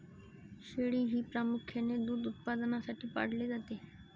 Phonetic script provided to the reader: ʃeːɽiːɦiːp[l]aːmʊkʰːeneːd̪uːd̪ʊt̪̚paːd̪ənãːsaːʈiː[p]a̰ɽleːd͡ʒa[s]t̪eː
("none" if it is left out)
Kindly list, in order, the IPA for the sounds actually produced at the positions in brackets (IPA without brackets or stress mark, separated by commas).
ɾ, p, none